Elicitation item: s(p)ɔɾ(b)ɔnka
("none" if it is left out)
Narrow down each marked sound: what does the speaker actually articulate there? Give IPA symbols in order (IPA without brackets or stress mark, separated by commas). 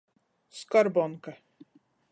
k, b